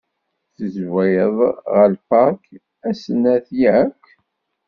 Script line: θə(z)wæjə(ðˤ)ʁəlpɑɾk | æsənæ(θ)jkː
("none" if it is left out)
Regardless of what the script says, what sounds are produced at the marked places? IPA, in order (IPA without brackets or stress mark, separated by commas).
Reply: z, ðˤ, θ